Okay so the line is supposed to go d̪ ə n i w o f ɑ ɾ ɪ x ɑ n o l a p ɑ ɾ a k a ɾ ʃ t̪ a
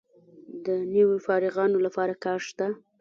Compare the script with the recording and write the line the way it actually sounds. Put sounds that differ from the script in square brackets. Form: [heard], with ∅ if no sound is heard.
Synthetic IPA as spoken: d̪ ə n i w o f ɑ ɾ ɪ [ɣ] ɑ n o l a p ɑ ɾ a k [ɑ] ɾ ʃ t̪ a

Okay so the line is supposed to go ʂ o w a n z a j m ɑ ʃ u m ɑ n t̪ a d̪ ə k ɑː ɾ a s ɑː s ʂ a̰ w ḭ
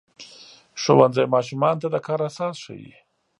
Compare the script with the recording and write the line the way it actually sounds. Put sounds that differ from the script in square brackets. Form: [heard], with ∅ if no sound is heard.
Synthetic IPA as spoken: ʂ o w a n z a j m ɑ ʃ u m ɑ n t̪ a d̪ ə k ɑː ɾ a s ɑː s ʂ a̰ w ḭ

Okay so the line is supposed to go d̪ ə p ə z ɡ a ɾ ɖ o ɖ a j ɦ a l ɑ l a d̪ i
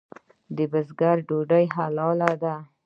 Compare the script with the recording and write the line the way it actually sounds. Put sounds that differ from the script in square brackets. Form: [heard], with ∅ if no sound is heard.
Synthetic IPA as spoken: d̪ ə [b] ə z ɡ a ɾ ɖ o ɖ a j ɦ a l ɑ l a d̪ [a]

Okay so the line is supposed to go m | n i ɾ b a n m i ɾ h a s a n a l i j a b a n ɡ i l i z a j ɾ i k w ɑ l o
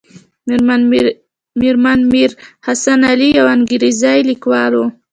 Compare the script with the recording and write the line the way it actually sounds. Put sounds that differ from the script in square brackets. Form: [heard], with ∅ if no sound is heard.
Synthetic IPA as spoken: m | [m] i ɾ [m] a n m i ɾ h a s a n a l i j a [w] a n ɡ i [ɾ] i z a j [l] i k w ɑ l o

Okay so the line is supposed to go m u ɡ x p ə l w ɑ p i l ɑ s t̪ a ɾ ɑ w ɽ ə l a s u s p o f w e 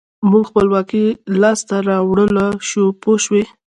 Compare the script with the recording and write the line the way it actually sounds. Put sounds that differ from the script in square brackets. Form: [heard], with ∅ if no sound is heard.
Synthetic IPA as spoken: m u ɡ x p ə l w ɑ [k] i l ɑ s t̪ a ɾ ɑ w ɽ ə l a [ʃ] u [∅] p o [ʃ] w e

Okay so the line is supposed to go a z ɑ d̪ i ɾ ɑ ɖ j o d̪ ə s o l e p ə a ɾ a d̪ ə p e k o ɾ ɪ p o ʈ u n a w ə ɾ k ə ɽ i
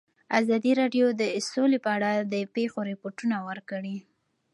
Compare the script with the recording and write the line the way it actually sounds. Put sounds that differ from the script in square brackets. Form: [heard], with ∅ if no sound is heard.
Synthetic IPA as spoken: a z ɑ d̪ i ɾ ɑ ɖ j o d̪ ə s o l e p ə a [ɽ] a d̪ ə p e [x] o ɾ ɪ p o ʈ u n a w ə ɾ k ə ɽ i

